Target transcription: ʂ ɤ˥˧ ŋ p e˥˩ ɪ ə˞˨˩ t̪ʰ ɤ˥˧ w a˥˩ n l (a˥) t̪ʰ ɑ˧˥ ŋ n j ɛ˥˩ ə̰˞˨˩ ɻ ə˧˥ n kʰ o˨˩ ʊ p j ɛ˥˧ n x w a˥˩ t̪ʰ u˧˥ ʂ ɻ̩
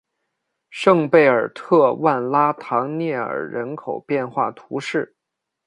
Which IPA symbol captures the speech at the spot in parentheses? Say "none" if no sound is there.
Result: a˥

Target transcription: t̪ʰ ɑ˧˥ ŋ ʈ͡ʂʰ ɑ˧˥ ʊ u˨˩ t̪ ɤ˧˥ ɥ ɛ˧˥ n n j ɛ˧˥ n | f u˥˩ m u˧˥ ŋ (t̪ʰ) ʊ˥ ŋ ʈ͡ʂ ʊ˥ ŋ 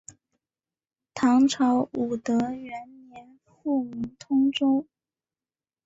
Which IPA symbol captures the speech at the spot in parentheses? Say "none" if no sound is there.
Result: t̪ʰ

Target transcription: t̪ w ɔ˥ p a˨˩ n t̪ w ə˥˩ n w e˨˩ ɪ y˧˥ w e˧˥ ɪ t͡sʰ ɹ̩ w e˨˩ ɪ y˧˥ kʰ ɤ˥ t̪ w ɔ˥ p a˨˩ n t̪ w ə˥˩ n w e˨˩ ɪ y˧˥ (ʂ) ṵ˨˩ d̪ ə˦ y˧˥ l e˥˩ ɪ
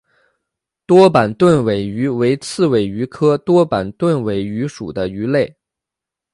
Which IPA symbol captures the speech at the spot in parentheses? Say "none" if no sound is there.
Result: ʂ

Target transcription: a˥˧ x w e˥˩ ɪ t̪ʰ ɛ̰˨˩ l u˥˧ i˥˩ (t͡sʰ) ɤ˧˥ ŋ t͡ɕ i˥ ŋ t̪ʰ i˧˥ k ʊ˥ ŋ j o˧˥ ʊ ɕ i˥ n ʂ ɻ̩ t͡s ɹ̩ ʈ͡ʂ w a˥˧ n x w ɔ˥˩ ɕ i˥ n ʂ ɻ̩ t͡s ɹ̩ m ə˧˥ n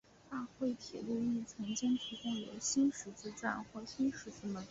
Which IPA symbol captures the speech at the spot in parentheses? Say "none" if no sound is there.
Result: t͡sʰ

